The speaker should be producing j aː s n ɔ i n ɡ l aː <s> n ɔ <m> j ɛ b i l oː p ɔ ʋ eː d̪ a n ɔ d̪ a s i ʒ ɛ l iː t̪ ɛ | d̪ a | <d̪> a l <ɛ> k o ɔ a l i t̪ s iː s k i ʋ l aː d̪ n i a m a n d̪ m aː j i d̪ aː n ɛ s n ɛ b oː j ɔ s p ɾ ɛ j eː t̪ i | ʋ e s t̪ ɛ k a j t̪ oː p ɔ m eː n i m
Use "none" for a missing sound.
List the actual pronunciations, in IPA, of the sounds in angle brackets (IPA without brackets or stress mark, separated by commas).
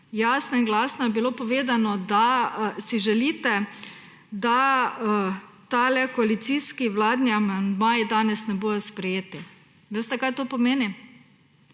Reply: s, none, t̪, ɛ